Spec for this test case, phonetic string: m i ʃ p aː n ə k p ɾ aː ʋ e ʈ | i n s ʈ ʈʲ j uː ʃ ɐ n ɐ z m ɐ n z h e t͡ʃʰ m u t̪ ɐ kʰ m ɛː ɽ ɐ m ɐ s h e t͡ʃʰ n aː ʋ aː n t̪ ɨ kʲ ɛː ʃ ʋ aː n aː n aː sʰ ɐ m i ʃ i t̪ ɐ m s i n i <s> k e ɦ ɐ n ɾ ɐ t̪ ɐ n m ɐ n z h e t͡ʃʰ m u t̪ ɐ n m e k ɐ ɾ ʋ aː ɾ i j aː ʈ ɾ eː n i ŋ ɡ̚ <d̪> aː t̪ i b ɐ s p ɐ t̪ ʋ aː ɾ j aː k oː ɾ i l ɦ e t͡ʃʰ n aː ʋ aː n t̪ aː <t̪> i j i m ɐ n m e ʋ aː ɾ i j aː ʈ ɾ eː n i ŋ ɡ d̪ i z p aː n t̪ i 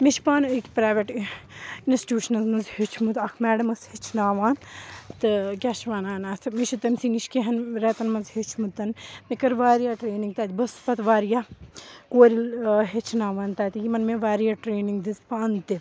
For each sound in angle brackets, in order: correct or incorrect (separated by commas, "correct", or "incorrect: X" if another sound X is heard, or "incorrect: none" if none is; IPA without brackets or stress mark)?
incorrect: ʃ, incorrect: t̪, correct